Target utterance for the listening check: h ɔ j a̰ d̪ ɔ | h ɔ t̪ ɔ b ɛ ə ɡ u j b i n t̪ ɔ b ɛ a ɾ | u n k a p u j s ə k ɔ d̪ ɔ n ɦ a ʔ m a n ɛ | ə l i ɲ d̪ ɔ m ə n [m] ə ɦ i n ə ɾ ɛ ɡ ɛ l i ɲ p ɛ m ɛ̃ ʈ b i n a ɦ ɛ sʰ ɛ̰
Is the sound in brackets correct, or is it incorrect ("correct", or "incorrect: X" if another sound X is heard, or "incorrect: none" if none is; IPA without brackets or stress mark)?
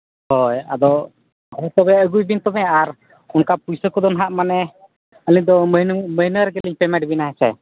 correct